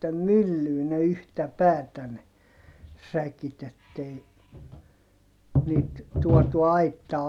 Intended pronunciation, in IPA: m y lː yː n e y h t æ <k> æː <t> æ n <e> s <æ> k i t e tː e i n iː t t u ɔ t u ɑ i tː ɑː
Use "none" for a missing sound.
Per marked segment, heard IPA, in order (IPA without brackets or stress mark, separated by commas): p, t, e, æ